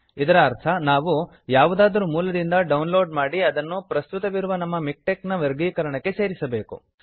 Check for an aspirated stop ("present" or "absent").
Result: present